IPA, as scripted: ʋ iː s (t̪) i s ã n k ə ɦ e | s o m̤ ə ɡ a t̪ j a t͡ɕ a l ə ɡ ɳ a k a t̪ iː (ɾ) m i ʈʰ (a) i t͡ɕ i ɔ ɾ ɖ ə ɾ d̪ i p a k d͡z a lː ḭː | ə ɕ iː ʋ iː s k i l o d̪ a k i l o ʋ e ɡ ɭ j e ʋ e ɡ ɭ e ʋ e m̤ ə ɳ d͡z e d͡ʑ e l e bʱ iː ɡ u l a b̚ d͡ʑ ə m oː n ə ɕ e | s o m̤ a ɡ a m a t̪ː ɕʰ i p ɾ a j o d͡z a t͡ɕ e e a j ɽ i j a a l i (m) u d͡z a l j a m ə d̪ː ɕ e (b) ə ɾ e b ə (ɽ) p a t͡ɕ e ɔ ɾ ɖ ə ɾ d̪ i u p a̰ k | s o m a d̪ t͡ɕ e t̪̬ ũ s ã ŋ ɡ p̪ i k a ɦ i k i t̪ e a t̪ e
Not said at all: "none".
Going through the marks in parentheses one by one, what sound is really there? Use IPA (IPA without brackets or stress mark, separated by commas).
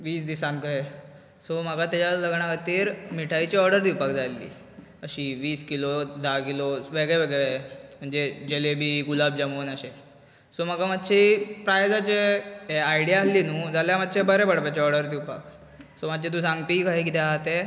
d̪, ɾ, a, n, b, ɽ